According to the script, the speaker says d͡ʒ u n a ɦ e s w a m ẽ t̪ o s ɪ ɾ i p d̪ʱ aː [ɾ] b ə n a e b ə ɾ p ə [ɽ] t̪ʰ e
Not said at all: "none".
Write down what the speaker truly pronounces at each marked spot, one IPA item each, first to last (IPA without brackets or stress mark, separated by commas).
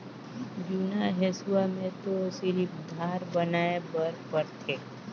ɾ, ɾ